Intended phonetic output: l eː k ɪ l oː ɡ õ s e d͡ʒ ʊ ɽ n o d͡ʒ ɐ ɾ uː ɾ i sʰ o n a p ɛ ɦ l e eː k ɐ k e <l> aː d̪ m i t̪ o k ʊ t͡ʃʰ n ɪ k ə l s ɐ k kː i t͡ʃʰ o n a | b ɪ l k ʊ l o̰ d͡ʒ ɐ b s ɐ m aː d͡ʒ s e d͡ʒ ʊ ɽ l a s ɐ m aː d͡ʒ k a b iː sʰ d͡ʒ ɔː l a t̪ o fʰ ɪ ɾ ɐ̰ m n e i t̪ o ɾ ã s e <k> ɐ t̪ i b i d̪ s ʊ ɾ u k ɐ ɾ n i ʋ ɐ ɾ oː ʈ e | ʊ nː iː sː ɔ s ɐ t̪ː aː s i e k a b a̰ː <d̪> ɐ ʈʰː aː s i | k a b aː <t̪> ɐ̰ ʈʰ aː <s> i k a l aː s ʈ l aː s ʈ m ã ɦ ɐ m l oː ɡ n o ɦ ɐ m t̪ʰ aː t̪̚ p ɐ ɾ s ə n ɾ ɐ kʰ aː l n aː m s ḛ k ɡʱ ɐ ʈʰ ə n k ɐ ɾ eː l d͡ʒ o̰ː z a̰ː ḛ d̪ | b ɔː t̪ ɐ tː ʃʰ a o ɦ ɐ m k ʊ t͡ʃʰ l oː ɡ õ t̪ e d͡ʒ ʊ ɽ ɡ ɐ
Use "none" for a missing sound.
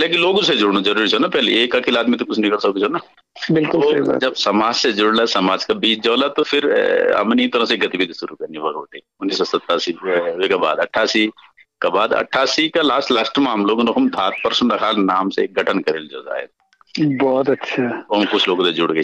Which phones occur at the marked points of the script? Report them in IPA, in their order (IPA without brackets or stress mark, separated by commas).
l, ɡ, d̪, d̪, s